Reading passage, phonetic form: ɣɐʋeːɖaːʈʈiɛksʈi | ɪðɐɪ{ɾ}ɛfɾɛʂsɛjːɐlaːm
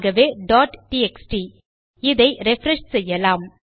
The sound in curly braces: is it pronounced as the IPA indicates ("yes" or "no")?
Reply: yes